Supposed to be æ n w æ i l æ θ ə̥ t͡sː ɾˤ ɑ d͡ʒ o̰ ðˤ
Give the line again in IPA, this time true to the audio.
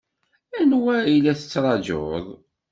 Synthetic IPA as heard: æ n w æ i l æ θ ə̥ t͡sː ɾˤ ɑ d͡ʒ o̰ ðˤ